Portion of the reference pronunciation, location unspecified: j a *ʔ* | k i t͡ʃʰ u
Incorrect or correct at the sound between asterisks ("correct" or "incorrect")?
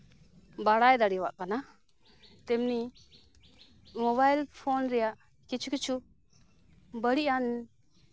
correct